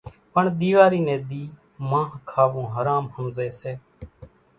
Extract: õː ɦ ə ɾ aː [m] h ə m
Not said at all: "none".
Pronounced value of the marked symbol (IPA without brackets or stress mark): m